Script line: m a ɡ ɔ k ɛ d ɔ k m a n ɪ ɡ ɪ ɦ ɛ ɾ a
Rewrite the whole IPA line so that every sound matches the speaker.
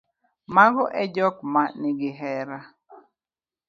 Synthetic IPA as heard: m a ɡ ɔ ʔ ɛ d͡ʒ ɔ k m a n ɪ ɡ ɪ ɦ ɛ ɾ a